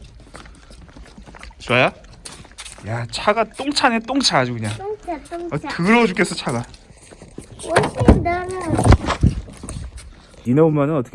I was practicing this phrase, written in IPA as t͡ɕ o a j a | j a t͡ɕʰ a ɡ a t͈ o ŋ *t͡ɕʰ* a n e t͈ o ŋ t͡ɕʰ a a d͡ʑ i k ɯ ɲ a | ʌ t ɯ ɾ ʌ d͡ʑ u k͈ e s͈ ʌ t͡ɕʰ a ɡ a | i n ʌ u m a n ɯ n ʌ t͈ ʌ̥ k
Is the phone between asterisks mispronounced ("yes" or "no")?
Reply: no